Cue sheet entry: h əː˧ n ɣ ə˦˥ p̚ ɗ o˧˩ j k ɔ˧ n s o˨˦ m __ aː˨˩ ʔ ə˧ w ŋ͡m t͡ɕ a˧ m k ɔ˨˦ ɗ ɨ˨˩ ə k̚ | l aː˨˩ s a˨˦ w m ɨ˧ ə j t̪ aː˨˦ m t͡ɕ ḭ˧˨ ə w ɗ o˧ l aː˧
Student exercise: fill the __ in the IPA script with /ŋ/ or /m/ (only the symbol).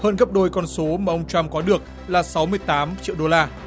m